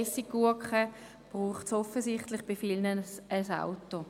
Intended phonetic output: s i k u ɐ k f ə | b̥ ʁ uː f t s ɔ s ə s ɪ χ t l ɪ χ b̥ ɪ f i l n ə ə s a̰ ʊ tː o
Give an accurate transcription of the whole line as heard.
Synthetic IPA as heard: s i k u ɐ k χ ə | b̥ ʁ uː χ t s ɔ f ə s ɪ χ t l ɪ χ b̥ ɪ f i l n ə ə s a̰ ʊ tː o